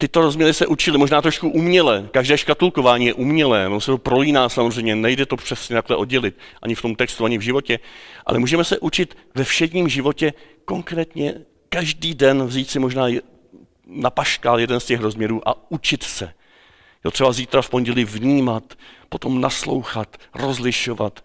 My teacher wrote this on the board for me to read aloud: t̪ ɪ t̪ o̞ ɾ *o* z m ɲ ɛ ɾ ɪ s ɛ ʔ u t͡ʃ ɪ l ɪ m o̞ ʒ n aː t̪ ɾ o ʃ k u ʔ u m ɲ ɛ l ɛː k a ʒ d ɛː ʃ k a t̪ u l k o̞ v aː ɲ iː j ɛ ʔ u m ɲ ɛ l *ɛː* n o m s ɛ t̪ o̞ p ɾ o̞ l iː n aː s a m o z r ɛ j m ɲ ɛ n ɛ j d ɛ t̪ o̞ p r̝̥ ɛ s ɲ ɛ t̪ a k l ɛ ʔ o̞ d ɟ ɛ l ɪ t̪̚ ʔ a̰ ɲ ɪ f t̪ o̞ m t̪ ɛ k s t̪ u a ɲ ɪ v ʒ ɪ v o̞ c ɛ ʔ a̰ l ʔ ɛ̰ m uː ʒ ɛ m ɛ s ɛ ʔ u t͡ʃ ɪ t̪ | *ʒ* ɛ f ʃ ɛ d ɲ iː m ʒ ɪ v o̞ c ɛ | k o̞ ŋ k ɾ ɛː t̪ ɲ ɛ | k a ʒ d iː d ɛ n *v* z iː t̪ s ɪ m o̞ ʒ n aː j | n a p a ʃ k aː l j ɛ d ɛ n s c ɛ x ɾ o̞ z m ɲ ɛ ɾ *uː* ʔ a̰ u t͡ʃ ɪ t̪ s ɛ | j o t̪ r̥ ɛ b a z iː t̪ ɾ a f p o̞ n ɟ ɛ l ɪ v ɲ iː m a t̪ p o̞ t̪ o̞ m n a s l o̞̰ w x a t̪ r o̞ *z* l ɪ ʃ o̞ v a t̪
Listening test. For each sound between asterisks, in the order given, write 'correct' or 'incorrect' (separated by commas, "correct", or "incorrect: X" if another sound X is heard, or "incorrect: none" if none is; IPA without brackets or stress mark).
correct, correct, incorrect: v, correct, correct, correct